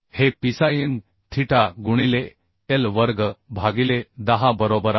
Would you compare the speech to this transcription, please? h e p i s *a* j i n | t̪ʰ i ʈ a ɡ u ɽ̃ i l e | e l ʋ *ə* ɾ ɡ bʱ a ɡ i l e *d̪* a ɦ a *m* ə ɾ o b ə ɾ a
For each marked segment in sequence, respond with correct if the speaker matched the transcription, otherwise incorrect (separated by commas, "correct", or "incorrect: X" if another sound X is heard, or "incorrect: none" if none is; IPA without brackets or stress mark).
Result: correct, correct, correct, incorrect: b